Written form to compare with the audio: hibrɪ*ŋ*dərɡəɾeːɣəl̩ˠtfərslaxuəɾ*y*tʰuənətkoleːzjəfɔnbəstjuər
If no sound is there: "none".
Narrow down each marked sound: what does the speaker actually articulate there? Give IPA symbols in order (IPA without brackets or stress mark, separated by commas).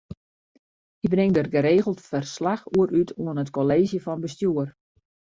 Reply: ŋ, y